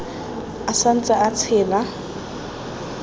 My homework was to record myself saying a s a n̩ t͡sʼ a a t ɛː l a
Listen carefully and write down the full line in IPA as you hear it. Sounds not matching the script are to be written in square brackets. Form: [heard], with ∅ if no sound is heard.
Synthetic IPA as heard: a s a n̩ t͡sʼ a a [t͡sʰ] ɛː l a